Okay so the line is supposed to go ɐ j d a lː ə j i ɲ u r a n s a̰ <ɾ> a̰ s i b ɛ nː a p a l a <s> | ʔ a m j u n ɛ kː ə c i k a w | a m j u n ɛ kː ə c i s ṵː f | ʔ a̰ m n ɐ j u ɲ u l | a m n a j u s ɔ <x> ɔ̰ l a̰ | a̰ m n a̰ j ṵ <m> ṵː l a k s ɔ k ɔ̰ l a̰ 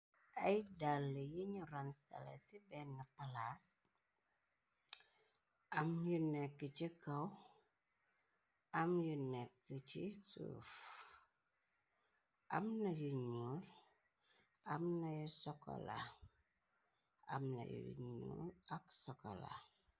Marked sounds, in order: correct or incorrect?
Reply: incorrect, correct, incorrect, incorrect

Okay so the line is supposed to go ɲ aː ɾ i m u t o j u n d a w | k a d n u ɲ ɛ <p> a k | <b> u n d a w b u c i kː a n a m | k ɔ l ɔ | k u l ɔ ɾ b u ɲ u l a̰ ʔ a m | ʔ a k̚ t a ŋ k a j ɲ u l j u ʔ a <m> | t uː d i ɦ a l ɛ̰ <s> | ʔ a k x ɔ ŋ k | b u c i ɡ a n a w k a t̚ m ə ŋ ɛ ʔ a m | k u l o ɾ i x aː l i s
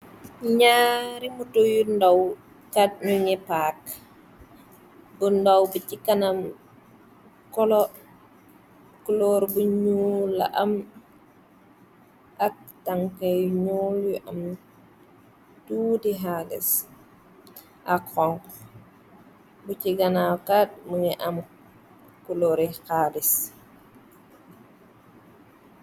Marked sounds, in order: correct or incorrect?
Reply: correct, correct, correct, correct

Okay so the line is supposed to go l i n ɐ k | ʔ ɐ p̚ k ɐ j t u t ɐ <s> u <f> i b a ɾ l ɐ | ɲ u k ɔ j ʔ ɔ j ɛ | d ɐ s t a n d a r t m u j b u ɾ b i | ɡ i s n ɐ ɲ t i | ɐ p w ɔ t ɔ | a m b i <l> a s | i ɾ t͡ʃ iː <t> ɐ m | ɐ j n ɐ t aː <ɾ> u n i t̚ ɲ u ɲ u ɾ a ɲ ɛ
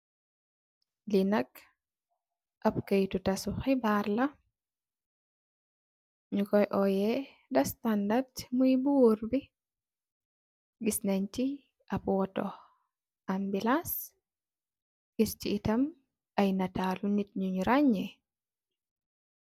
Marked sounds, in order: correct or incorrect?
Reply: correct, incorrect, correct, correct, incorrect

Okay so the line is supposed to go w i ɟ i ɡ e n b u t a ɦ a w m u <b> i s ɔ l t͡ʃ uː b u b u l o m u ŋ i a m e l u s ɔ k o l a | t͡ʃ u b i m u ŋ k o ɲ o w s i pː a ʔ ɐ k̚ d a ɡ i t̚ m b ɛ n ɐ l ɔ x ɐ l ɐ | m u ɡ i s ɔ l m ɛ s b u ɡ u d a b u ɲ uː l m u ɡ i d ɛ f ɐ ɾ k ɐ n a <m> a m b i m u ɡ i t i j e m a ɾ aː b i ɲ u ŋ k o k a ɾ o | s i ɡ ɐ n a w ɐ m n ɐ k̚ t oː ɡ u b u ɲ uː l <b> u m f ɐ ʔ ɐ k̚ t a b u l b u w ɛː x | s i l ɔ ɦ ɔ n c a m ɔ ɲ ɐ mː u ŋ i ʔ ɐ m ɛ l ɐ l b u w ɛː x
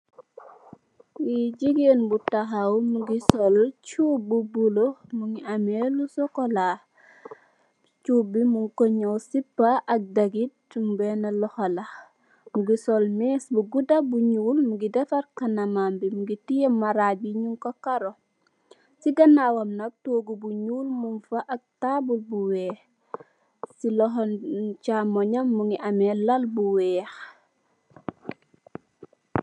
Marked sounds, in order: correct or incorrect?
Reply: incorrect, correct, incorrect

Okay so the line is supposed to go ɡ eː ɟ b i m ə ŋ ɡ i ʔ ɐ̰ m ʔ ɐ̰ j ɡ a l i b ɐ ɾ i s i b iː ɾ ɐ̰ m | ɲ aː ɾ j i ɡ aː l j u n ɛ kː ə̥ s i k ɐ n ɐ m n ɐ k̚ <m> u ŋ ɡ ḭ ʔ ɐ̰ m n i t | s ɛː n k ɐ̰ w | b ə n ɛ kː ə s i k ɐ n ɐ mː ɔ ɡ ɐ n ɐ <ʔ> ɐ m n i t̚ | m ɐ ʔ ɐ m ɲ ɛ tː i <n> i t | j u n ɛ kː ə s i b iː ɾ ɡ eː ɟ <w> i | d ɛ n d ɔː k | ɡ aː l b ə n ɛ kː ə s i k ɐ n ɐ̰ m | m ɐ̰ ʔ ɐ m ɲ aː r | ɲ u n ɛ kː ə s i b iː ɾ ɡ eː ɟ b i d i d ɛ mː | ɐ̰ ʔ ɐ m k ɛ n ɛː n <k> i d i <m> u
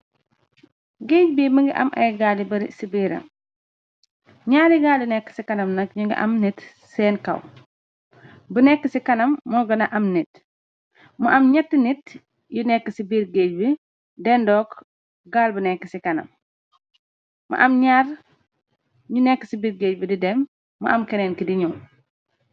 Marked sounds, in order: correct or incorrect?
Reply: incorrect, correct, correct, incorrect, correct, incorrect

